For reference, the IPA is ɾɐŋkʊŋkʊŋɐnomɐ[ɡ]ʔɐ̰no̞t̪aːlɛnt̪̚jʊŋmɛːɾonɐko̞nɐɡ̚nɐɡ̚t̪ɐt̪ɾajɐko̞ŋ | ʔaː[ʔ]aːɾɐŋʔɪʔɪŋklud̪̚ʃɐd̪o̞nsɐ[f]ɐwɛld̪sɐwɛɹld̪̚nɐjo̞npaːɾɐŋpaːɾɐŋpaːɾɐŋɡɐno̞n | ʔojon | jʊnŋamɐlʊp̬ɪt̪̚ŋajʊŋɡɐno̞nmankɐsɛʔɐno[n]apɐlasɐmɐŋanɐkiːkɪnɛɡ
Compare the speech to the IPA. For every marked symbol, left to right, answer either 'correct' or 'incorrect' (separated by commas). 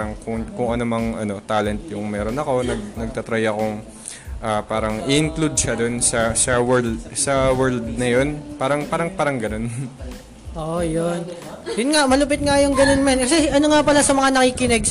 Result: incorrect, incorrect, incorrect, incorrect